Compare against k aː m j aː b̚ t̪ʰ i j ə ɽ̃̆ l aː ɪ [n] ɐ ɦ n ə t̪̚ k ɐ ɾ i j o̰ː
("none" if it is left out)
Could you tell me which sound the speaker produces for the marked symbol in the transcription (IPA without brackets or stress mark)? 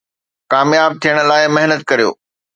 m